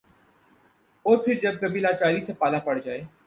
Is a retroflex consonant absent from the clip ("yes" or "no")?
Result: no